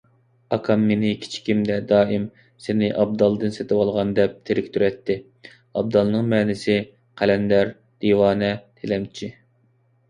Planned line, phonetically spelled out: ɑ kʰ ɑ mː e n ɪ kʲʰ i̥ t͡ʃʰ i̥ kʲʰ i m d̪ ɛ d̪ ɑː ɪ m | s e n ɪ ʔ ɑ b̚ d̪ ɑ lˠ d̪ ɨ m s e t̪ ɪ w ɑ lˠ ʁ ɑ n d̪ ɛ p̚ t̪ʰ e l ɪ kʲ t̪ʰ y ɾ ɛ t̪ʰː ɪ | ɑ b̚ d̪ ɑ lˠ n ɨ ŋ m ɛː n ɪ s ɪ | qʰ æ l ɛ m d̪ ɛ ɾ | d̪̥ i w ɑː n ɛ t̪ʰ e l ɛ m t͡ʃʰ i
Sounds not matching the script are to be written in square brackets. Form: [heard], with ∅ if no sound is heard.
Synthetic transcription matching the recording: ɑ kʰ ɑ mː e n ɪ kʲʰ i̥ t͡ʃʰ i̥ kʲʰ i m d̪ ɛ d̪ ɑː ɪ m | s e n ɪ ʔ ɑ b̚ d̪ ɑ lˠ d̪ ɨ [n] s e t̪ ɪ w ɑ lˠ ʁ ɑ n d̪ ɛ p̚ t̪ʰ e [ɾ] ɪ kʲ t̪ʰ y ɾ ɛ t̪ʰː ɪ | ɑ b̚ d̪ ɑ lˠ n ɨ ŋ m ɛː n ɪ s ɪ | qʰ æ l ɛ [n] d̪ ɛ ɾ | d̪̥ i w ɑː n ɛ t̪ʰ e l ɛ m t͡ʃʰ i